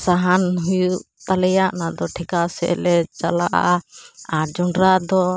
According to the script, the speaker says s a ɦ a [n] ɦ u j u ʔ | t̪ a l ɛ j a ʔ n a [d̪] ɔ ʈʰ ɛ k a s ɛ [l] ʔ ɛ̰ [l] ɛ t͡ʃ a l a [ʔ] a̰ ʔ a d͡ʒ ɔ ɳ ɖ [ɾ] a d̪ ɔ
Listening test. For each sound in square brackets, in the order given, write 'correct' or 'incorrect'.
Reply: correct, correct, incorrect: none, correct, correct, correct

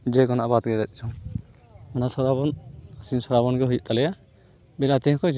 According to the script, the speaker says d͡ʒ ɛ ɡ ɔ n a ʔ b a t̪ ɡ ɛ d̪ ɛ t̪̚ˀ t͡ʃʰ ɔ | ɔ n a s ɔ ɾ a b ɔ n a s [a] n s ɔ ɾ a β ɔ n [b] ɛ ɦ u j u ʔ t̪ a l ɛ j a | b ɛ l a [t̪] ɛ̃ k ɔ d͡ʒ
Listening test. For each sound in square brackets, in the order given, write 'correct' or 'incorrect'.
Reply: incorrect: i, incorrect: ɡ, correct

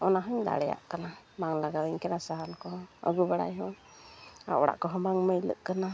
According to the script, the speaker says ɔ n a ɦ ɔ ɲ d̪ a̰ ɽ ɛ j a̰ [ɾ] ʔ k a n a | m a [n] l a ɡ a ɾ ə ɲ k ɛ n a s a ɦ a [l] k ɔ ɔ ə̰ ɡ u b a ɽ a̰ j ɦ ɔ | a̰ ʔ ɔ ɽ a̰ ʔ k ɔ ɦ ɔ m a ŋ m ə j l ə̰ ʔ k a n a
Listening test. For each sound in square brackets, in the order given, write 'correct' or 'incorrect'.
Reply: incorrect: none, incorrect: ŋ, correct

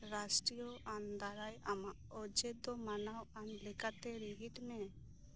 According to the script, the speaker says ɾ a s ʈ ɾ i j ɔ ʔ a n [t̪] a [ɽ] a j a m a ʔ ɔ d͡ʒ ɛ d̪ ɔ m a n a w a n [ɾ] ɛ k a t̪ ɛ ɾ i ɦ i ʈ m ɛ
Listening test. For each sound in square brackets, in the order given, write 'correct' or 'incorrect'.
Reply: incorrect: d̪, incorrect: ɾ, incorrect: l

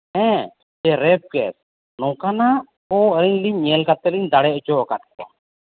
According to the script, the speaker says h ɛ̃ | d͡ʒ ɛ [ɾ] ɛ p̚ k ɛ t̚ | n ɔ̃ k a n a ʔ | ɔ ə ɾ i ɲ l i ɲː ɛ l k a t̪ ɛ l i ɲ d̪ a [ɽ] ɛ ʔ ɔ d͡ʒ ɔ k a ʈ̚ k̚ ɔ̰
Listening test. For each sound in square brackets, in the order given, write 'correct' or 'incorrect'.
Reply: correct, correct

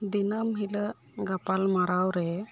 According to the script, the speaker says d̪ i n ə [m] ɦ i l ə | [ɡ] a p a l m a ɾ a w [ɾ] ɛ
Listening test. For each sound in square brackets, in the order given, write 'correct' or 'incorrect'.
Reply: correct, correct, correct

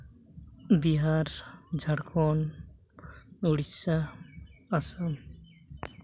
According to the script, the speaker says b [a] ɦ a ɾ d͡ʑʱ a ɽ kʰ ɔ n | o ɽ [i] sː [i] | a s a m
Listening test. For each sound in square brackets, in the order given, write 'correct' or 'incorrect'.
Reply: incorrect: i, correct, incorrect: a

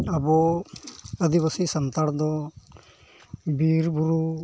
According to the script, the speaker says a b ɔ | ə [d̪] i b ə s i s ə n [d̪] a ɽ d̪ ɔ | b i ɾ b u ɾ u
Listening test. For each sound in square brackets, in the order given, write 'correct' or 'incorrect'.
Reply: correct, incorrect: t̪

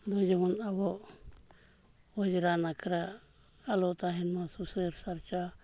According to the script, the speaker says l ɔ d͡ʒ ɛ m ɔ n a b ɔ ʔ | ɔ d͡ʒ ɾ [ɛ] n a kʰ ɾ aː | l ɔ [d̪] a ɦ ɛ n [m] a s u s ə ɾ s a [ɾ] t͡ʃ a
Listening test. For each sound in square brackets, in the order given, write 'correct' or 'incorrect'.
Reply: incorrect: a, incorrect: t̪, correct, correct

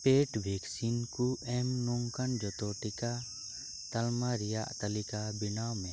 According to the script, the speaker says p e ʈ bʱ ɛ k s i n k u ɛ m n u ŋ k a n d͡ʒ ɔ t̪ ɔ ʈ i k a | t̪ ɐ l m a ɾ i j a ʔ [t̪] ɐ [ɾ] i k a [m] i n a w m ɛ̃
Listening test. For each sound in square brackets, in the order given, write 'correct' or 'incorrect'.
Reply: correct, incorrect: l, incorrect: b

